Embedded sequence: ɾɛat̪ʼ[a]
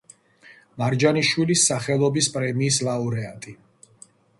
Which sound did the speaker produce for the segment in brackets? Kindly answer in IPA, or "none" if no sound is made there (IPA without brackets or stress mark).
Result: i